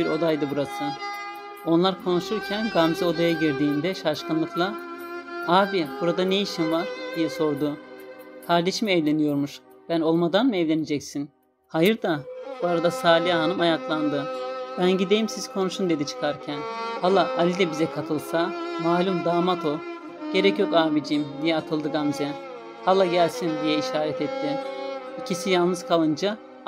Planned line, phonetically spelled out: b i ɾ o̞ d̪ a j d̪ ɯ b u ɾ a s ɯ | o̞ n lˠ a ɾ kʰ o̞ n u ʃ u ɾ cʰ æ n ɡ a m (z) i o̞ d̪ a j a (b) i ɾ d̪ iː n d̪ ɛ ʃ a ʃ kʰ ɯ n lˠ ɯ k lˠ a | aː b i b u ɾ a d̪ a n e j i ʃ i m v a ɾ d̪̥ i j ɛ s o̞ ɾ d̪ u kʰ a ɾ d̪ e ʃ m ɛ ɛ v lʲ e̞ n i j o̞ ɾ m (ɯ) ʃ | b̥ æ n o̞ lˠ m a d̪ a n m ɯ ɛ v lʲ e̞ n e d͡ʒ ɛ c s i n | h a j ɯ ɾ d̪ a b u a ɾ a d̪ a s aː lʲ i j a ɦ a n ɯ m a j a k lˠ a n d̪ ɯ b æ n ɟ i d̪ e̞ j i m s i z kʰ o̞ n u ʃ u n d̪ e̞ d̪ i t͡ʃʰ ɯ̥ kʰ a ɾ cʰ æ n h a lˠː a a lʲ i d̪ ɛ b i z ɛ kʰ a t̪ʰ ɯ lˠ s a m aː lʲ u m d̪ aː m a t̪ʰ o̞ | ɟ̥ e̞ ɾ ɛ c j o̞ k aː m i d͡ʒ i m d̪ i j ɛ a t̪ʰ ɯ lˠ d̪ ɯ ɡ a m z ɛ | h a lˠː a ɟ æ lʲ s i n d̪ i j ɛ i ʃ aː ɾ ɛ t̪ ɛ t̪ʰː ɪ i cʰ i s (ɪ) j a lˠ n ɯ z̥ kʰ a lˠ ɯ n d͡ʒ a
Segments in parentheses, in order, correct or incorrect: correct, incorrect: ɟ, incorrect: u, incorrect: i

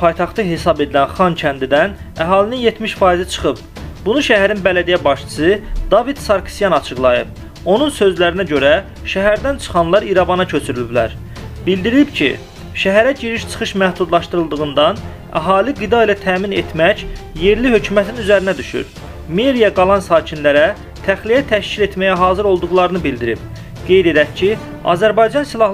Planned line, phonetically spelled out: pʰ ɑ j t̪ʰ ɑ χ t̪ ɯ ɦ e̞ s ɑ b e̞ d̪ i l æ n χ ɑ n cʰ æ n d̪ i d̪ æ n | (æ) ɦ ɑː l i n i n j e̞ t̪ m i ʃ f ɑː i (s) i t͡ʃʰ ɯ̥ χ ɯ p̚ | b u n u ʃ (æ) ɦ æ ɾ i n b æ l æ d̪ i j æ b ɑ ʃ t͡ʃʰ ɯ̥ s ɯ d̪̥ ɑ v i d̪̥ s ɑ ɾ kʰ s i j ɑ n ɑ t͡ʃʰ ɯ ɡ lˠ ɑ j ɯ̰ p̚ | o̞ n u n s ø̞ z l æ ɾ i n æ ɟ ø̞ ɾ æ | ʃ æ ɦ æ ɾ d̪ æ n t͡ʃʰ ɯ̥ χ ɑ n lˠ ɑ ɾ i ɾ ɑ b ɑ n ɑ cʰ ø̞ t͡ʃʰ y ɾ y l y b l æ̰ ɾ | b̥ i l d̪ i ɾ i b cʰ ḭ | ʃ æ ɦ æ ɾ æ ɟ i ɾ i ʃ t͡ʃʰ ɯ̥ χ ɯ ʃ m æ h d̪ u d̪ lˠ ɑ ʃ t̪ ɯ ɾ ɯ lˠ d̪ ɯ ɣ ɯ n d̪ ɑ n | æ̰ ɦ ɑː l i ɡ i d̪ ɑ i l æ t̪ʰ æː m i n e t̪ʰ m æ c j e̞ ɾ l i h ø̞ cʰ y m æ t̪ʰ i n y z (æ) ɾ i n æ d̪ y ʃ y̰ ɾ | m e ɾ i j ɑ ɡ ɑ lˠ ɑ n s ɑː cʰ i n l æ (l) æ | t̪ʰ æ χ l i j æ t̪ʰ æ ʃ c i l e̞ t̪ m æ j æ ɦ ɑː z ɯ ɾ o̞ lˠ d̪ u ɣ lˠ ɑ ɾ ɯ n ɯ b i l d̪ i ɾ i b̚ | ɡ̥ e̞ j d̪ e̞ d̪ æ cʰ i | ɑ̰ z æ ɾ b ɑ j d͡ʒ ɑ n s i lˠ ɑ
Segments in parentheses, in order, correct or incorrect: correct, incorrect: z, correct, correct, incorrect: ɾ

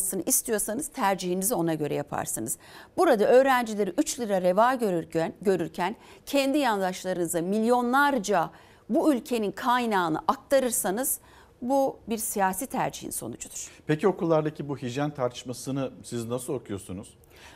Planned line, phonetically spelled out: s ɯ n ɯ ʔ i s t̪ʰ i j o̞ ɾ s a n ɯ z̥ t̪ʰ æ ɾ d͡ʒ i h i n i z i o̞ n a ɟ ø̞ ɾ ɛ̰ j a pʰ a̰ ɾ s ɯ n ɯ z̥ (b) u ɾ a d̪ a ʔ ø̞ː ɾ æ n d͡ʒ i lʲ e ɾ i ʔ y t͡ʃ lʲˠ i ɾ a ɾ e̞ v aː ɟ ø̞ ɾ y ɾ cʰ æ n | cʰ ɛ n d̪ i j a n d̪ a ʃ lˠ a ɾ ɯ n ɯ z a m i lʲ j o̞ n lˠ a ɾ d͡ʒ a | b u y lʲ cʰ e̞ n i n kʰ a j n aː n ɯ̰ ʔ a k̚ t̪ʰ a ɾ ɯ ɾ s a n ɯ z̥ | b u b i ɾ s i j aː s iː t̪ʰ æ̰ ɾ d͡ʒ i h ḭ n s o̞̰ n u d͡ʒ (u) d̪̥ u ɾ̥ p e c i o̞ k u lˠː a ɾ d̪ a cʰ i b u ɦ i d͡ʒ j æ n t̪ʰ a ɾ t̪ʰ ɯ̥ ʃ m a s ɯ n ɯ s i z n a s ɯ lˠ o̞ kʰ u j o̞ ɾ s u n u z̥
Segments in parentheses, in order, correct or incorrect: correct, correct

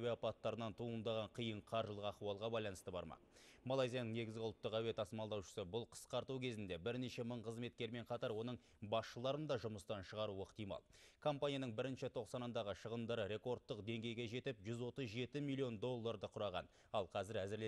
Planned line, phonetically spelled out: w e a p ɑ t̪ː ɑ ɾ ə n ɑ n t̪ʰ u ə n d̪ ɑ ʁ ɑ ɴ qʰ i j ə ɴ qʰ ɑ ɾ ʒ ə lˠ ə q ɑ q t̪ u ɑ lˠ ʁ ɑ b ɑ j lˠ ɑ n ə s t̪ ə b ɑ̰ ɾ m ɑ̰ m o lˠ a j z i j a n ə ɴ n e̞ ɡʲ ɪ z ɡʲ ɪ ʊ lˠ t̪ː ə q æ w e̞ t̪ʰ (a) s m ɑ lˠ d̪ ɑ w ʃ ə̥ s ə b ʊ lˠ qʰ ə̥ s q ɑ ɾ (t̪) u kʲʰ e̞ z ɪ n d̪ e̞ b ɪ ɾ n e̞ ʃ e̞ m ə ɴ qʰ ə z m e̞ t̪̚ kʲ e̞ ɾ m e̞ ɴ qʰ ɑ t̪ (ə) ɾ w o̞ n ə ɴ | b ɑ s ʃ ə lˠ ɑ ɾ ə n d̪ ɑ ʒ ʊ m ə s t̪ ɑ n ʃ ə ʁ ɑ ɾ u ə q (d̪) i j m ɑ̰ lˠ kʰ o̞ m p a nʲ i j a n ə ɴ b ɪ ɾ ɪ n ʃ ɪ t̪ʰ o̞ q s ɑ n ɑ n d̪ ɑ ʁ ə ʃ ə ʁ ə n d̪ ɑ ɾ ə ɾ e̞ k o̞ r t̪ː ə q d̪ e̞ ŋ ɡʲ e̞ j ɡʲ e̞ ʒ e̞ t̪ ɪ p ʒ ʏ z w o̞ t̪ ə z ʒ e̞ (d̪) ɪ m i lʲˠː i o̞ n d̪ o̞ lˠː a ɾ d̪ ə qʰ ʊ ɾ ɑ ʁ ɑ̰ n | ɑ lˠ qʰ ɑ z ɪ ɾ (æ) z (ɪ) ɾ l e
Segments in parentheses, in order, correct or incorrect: incorrect: ɑ, correct, incorrect: ɑ, incorrect: t̪, incorrect: t̪, correct, correct

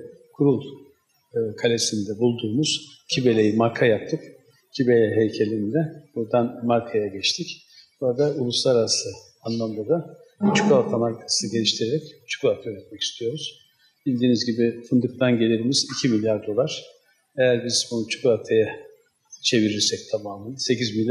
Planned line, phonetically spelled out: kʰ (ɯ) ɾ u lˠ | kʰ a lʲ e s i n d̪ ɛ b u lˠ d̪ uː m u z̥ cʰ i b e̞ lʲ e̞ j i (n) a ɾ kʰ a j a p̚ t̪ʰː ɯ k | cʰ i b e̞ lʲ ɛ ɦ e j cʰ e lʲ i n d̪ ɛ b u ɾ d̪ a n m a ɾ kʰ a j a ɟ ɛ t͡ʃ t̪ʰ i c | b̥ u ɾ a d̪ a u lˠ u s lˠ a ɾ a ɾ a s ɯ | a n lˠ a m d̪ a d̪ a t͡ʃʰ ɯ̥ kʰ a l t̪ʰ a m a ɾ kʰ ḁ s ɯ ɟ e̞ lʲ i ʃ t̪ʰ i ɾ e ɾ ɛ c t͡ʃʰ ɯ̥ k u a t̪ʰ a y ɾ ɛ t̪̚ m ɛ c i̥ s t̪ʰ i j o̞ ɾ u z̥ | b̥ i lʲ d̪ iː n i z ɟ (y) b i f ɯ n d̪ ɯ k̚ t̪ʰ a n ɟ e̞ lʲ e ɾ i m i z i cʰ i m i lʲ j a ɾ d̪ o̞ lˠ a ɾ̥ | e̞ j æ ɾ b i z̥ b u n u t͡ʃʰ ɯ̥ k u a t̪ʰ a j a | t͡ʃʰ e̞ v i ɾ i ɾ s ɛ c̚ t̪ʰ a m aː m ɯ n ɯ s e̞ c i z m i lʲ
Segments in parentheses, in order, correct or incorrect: incorrect: u, incorrect: m, incorrect: i

